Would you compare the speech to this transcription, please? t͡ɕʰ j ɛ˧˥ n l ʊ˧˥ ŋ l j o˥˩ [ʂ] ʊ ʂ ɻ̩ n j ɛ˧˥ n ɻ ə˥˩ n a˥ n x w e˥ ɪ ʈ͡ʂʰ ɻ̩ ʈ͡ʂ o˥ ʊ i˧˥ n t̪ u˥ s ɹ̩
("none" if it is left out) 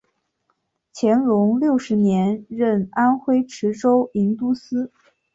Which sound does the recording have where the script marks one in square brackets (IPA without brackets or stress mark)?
none